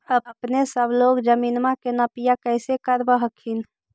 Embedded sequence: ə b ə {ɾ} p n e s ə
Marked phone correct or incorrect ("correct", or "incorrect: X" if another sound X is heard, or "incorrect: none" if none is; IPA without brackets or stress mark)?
incorrect: none